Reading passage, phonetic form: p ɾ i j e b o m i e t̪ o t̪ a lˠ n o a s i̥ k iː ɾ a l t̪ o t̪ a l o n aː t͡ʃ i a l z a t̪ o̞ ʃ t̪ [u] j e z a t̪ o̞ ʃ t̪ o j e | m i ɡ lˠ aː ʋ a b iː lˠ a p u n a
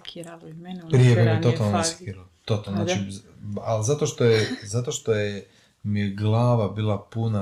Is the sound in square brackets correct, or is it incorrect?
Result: incorrect